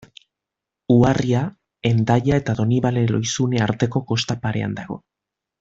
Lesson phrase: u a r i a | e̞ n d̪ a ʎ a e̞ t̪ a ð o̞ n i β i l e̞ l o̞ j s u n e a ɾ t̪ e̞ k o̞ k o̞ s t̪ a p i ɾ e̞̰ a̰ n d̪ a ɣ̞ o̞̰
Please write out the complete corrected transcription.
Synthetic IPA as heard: u a r i a | e̞ n d̪ a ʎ a e̞ t̪ a ð o̞ n i β a l e̞ l o̞ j s u n e a ɾ t̪ e̞ k o̞ k o̞ s t̪ a p a ɾ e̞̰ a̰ n d̪ a ɣ̞ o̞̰

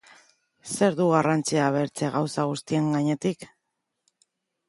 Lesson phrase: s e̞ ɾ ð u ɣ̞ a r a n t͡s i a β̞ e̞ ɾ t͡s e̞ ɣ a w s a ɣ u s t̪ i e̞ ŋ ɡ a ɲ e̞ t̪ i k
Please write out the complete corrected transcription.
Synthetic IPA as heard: s e̞ ɾ ð u ɣ̞ a r a n t͡s i a β̞ e̞ ɾ t͡s e̞ ɣ a w s a ɣ u s t̪ i e̞ ŋ ɡ a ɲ e̞ t̪ i k

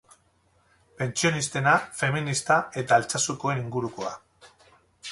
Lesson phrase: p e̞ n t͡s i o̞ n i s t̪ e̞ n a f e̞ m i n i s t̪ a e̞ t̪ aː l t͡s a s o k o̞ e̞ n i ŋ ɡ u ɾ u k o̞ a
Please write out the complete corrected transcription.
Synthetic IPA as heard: p e̞ n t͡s i o̞ n i s t̪ e̞ n a f e̞ m i n i s t̪ a e̞ t̪ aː l t͡s a s u k o̞ e̞ n i ŋ ɡ u ɾ u k o̞ a

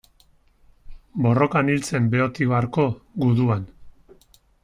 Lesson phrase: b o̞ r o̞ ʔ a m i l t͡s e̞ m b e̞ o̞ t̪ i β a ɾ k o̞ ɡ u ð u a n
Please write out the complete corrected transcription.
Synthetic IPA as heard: b o̞ r o̞ k a n i l t͡s e̞ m b e̞ o̞ t̪ i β a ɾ k o̞ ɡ u ð u a n

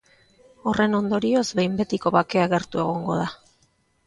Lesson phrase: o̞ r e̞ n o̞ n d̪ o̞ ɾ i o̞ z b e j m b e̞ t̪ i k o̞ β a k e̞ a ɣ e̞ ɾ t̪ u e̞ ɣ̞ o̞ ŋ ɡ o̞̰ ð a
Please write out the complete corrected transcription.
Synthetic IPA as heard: o̞ r e̞ n o̞ n d̪ o̞ ɾ i o̞ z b e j m b e̞ t̪ i k o̞ β a k e̞ a ɣ e̞ ɾ t̪ u e̞ ɣ̞ o̞ ŋ ɡ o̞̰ ð a

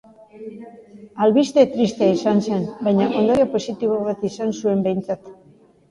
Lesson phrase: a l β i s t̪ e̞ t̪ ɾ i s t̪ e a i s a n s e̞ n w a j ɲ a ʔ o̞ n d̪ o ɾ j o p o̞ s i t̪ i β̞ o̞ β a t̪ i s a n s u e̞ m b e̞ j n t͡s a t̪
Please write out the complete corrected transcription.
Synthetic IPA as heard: a l β i s t̪ e̞ t̪ ɾ i s t̪ e a i s a n s e̞ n b a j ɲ a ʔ o̞ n d̪ o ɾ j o p o̞ s i t̪ i β̞ o̞ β a t̪ i s a n s u e̞ m b e̞ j n t͡s a t̪

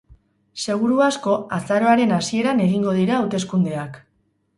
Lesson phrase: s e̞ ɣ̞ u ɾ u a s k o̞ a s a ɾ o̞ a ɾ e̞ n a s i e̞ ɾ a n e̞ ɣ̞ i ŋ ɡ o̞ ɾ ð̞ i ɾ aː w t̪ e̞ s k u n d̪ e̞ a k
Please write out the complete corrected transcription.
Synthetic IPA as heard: s e̞ ɣ̞ u ɾ u a s k o̞ a s a ɾ o̞ a ɾ e̞ n a s i e̞ ɾ a n e̞ ɣ̞ i ŋ ɡ o̞ ð̞ i ɾ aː w t̪ e̞ s k u n d̪ e̞ a k

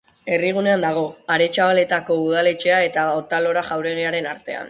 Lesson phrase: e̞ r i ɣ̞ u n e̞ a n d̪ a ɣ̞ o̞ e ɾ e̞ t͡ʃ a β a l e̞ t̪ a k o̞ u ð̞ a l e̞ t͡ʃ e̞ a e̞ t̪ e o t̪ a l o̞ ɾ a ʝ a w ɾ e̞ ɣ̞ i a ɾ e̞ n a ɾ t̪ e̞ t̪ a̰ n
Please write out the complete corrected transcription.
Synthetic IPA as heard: e̞ r i ɣ̞ u n e̞ a n d̪ a ɣ̞ o̞ a ɾ e̞ t͡ʃ a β a l e̞ t̪ a k o̞ u ð̞ a l e̞ t͡ʃ e̞ a e̞ t̪ a o t̪ a l o̞ ɾ a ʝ a w ɾ e̞ ɣ̞ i a ɾ e̞ n a ɾ t̪ e̞ a̰ n

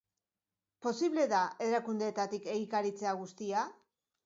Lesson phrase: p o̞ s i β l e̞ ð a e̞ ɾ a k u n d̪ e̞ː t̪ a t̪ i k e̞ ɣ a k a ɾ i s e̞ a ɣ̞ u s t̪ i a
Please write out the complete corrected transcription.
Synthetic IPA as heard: p o̞ s i β l e̞ ð a e̞ ɾ a k u n d̪ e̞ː t̪ a t̪ i k e̞ ɣ i k a ɾ i t͡s e̞ a ɣ̞ u s t̪ i a

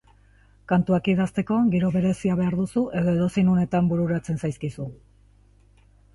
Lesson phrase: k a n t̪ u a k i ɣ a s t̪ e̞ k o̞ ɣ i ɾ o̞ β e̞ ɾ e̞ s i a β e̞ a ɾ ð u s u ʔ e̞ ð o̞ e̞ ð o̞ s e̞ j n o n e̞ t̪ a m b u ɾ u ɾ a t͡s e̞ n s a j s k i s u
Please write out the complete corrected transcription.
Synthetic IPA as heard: k a n t̪ u a k i ð a s t̪ e̞ k o̞ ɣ i ɾ o̞ β e̞ ɾ e̞ s i a β e̞ a ɾ ð u s u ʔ e̞ ð o̞ e̞ ð o̞ s e̞ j n o n e̞ t̪ a m b u ɾ u ɾ a t͡s e̞ n s a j s k i s u

